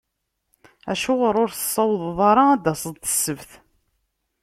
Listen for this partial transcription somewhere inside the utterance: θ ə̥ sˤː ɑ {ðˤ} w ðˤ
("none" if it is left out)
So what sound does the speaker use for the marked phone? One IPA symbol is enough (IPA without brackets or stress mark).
none